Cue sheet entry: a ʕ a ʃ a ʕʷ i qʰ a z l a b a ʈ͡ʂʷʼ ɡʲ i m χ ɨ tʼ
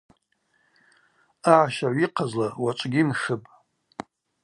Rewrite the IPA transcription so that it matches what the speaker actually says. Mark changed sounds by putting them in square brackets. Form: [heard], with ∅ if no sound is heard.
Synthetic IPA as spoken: a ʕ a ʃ a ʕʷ i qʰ a z l a [w] a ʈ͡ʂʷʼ ɡʲ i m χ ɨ [pʼ]